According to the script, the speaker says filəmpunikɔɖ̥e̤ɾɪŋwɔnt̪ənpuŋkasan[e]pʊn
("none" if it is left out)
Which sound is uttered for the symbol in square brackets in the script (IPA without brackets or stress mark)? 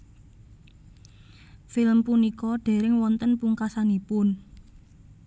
i